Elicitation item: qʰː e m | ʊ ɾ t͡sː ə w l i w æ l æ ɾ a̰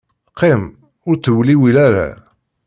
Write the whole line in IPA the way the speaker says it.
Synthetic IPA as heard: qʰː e m | ʊ ɾ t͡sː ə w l i w i l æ ɾ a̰